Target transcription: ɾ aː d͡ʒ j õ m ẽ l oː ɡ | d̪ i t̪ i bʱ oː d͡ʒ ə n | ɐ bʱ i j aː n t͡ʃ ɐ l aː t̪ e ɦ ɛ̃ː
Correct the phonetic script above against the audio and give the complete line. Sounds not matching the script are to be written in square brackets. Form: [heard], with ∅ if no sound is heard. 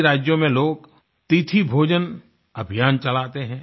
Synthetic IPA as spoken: ɾ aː d͡ʒ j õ m ẽ l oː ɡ | [t̪] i [t̪ʰ] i bʱ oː d͡ʒ ə n | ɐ bʱ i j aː n t͡ʃ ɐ l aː t̪ e ɦ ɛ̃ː

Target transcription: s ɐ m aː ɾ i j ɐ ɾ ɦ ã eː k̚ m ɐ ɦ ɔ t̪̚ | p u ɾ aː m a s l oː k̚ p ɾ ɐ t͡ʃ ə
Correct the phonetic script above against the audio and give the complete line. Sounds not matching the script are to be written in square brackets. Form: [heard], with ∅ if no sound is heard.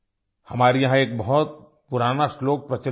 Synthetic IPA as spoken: [h] ɐ m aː ɾ i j ɐ [∅] ɦ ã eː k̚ [b] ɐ ɦ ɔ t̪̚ | p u ɾ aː [n] a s l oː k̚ p ɾ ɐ t͡ʃ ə

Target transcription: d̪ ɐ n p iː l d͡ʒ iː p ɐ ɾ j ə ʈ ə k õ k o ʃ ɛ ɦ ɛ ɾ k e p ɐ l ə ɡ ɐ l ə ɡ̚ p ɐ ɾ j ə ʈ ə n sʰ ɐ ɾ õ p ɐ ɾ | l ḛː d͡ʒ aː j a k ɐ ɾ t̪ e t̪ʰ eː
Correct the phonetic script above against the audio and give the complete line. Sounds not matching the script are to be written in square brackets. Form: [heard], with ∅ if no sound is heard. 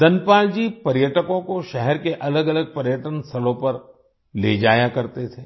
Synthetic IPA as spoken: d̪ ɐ n p [aː] l d͡ʒ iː p ɐ ɾ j ə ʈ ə k õ k o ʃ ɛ ɦ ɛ ɾ k e [ʔ] ɐ l ə ɡ ɐ l ə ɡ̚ p ɐ ɾ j ə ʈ ə n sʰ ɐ [l] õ p ɐ ɾ | l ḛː d͡ʒ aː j a k ɐ ɾ t̪ e t̪ʰ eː

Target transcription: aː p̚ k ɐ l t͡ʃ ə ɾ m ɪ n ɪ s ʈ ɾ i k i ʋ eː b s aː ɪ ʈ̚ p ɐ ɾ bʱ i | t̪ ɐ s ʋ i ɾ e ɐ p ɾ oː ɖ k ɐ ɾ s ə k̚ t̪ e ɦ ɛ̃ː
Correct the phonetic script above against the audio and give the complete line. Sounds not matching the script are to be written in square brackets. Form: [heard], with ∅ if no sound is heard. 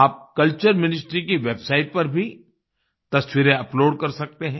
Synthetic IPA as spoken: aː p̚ k ɐ l t͡ʃ ə ɾ m ɪ n ɪ s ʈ ɾ i k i ʋ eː b s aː ɪ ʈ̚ p ɐ ɾ bʱ i | t̪ ɐ s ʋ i ɾ e ɐ p [l] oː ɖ k ɐ ɾ s [ɐ] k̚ t̪ e ɦ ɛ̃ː

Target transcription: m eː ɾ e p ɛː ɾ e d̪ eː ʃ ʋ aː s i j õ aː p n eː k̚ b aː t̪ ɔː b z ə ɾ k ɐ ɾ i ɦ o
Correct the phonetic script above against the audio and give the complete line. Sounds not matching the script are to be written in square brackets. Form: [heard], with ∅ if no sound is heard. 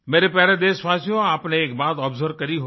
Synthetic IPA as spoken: m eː ɾ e p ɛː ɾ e d̪ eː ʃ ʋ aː s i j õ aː p n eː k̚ b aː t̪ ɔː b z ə ɾ k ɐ ɾ i ɦ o

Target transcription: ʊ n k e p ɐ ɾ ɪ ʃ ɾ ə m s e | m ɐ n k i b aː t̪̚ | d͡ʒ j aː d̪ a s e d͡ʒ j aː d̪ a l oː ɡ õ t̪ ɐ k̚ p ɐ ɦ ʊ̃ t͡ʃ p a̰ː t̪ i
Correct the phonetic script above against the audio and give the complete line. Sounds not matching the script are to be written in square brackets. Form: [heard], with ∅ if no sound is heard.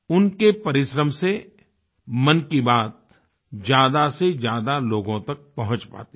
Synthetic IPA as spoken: ʊ n k e p ɐ ɾ ɪ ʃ ɾ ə m s e | m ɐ n k i b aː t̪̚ | d͡ʒ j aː d̪ a s e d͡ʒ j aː d̪ a l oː ɡ õ t̪ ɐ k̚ p ɐ ɦ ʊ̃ t͡ʃ p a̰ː t̪ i

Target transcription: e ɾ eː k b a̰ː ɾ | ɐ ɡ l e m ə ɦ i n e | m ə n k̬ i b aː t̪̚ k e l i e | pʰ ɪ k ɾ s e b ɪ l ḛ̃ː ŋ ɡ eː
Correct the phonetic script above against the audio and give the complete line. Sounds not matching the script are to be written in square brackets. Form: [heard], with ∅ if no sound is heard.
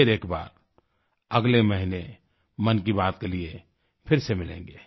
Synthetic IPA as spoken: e ɾ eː k b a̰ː ɾ | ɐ ɡ l e m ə ɦ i n e | m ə n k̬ i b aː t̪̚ k e l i e | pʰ ɪ [∅] ɾ s e [m] ɪ l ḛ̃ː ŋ ɡ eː

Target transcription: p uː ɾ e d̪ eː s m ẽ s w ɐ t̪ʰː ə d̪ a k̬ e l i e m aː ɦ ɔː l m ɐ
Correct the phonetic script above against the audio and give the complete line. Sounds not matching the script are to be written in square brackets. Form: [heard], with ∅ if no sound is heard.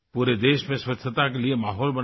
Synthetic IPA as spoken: p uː ɾ e d̪ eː [ʃ] m ẽ s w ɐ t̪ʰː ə [t̪] a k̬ e l i e m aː ɦ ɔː l [b] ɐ

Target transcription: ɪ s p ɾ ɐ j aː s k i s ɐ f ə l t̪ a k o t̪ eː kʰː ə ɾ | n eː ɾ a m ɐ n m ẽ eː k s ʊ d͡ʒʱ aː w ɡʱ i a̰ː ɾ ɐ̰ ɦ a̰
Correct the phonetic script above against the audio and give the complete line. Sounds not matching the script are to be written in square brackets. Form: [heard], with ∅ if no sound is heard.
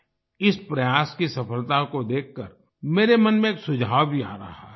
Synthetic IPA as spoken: ɪ s p ɾ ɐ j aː s k i s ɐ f ə l t̪ a k o [d̪] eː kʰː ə ɾ | [m] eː ɾ [e] m ɐ n m ẽ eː k s ʊ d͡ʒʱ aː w [bʱ] i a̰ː ɾ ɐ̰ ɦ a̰

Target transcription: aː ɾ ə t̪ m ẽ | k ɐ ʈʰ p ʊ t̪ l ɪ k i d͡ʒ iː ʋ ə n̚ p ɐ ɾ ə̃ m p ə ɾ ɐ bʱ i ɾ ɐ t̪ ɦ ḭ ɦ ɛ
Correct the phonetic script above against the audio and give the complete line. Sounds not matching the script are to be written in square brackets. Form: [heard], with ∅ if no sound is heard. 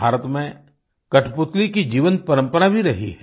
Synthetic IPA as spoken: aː ɾ ə t̪ m ẽ | k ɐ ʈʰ p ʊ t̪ l [i] k i d͡ʒ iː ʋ ə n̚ p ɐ ɾ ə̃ m p ə ɾ [a] bʱ i ɾ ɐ [∅] ɦ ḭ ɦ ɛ

